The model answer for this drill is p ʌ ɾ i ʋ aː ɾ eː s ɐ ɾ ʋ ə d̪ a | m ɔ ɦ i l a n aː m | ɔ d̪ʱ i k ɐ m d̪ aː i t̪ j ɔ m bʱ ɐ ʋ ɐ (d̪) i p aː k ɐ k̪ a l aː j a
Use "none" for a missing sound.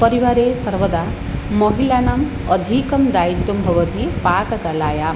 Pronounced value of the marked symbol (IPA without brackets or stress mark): t̪